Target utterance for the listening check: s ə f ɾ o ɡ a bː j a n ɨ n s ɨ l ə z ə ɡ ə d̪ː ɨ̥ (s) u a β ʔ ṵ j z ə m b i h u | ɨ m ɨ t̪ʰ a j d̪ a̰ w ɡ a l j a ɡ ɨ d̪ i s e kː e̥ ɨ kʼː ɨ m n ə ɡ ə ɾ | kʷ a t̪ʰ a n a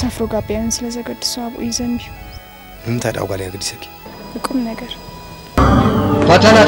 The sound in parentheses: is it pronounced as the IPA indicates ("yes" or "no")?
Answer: yes